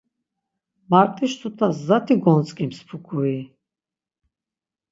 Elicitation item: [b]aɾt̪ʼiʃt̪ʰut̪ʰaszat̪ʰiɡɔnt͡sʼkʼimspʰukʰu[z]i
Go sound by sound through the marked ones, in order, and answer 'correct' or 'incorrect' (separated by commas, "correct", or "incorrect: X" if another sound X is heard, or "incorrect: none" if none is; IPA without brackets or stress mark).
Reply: incorrect: m, incorrect: none